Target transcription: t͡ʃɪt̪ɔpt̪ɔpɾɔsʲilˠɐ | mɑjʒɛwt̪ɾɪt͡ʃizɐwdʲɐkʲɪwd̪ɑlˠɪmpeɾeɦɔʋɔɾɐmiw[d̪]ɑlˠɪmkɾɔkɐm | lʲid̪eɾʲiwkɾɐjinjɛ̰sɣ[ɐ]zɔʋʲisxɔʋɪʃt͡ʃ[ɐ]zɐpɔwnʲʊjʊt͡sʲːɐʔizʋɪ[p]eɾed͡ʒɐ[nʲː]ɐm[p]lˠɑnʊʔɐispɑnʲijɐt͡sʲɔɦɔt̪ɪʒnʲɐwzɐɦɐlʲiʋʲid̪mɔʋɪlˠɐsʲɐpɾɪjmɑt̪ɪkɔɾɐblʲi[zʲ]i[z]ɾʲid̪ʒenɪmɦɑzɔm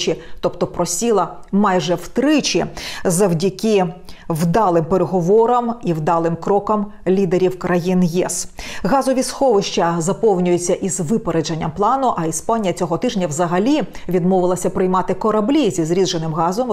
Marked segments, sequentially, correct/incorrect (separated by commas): correct, incorrect, correct, correct, correct, correct, correct, correct